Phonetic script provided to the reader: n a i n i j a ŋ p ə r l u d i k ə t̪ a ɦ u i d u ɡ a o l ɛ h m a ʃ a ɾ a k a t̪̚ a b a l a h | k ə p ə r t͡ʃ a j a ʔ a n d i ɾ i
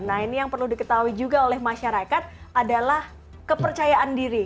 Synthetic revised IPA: n a i n i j a ŋ p ə r l u d i k ə t̪ a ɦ u i d͡ʒ u ɡ a o l ɛ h m a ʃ a ɾ a k a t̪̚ a d a l a h | k ə p ə r t͡ʃ a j a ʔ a n d i ɾ i